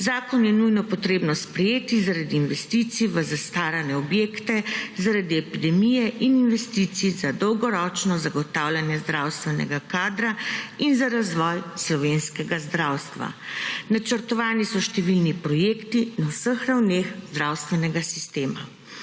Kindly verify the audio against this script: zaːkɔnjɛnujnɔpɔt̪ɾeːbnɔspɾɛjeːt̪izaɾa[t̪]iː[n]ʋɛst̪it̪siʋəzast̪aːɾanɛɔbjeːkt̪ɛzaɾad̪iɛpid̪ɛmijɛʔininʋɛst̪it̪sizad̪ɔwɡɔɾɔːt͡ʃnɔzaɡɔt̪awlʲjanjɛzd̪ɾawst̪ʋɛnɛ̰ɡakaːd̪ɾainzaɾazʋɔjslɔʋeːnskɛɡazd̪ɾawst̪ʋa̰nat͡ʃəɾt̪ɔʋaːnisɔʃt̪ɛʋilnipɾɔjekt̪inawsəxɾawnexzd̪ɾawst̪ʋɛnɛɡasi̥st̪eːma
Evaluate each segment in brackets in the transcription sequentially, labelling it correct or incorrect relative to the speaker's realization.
incorrect, correct

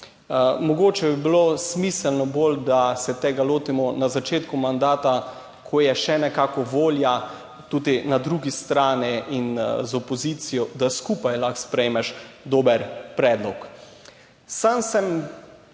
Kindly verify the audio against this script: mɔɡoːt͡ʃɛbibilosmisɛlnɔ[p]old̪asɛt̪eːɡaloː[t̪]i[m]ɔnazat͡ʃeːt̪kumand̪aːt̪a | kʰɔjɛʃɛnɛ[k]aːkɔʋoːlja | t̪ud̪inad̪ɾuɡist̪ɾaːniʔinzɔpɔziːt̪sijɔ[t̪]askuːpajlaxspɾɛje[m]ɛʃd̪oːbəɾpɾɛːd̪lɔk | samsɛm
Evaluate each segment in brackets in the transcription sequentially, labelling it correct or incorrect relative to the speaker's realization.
incorrect, correct, correct, correct, incorrect, correct

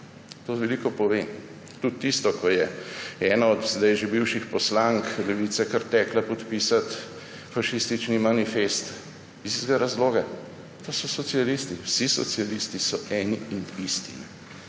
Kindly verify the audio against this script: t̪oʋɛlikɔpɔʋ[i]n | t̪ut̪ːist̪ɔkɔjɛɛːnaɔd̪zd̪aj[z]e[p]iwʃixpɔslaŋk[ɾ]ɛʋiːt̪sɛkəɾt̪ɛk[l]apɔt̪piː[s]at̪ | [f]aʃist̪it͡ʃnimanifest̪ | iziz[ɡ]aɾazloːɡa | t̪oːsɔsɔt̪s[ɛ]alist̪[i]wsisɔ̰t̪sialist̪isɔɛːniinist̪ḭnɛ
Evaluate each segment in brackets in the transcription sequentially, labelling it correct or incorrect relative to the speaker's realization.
incorrect, incorrect, incorrect, incorrect, correct, correct, correct, correct, incorrect, correct

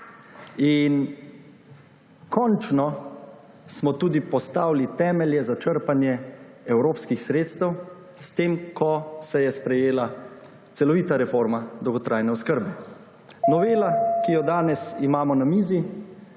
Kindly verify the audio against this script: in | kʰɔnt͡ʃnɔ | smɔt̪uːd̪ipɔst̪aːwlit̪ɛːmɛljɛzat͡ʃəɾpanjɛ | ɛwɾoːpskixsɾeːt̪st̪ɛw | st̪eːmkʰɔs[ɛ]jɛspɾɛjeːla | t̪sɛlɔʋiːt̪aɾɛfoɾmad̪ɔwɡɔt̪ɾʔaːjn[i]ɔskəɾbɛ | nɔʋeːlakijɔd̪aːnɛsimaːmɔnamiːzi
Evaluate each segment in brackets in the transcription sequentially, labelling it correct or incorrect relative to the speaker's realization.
correct, incorrect

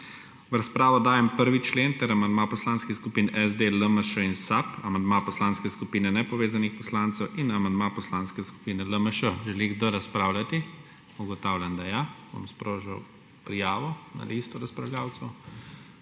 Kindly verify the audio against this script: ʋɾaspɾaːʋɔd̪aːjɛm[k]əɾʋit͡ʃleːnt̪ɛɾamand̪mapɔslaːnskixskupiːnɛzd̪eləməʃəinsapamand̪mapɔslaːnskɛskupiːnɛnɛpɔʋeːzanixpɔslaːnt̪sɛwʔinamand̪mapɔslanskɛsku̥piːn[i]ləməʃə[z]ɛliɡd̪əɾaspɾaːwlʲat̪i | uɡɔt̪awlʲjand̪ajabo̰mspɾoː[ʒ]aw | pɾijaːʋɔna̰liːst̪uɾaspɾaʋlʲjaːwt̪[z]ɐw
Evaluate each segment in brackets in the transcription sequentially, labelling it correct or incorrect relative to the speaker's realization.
incorrect, incorrect, incorrect, correct, incorrect

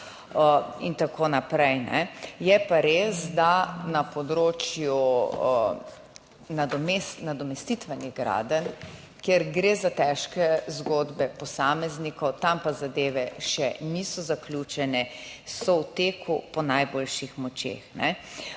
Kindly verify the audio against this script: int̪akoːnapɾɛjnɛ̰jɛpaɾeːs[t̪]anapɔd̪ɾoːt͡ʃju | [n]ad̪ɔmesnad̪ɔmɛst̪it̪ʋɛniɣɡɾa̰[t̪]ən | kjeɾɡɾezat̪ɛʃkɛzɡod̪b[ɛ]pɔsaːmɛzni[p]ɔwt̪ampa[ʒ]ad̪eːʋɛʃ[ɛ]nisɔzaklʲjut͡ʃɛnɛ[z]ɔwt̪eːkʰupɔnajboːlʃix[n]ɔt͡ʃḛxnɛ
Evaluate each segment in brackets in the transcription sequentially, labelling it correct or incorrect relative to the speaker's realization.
incorrect, correct, incorrect, correct, incorrect, incorrect, correct, incorrect, incorrect

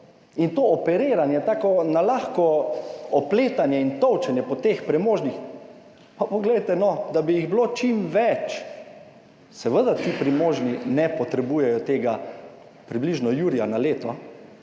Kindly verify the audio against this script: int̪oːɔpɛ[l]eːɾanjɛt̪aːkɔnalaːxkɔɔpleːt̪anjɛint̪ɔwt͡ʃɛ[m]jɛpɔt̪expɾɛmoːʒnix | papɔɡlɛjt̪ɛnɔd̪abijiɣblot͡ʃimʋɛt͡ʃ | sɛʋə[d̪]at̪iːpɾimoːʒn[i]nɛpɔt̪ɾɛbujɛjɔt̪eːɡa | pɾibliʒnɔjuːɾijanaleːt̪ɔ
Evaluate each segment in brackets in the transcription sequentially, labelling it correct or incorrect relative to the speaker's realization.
incorrect, incorrect, correct, correct

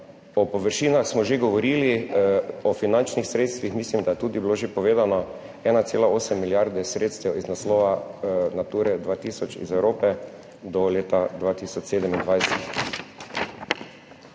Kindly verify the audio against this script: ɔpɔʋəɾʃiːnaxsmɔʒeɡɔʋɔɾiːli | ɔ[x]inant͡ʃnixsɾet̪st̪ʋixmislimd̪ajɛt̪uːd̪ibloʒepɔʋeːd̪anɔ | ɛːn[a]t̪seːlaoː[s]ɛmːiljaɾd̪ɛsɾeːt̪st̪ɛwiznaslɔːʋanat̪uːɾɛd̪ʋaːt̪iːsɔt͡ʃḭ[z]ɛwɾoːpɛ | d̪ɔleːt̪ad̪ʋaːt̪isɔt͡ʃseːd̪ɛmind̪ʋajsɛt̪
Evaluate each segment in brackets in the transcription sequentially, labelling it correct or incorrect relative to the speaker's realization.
incorrect, correct, correct, correct

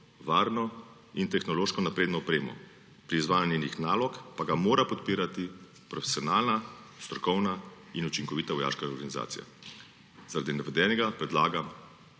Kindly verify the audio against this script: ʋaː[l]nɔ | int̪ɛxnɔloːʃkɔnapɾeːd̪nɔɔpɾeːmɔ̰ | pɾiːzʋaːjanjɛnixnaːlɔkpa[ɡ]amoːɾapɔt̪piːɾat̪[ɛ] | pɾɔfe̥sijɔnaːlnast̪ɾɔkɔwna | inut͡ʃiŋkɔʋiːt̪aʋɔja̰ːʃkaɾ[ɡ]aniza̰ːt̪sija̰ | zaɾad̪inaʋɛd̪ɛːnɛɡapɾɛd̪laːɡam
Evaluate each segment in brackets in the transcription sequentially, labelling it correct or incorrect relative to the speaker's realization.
incorrect, correct, incorrect, correct

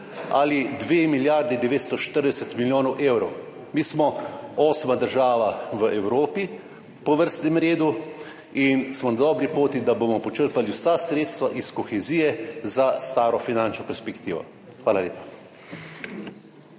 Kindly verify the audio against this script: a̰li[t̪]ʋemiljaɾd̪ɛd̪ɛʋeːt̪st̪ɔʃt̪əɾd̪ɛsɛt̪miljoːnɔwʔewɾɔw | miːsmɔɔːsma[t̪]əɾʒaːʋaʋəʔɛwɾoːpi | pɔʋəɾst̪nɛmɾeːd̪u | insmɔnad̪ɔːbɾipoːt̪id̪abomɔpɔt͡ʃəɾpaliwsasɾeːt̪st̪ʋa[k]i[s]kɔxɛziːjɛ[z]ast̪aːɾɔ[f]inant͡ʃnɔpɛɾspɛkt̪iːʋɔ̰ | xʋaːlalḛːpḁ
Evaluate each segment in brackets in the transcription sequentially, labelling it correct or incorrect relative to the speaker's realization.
incorrect, incorrect, incorrect, correct, correct, correct

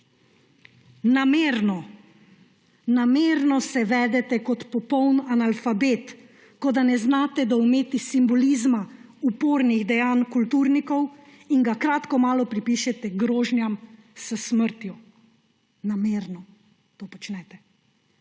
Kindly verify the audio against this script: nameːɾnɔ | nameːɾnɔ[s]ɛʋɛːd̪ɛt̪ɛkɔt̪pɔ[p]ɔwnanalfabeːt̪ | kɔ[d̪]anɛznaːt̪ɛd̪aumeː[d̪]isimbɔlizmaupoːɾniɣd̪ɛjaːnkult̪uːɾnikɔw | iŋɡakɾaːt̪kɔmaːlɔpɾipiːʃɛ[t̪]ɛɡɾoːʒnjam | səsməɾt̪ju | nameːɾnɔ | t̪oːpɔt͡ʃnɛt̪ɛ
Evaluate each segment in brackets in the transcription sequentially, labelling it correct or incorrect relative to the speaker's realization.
correct, correct, correct, incorrect, correct

